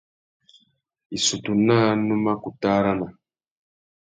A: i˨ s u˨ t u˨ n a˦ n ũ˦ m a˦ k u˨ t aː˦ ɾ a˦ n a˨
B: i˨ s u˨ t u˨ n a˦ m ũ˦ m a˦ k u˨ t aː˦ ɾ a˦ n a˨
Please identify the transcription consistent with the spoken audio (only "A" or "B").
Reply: A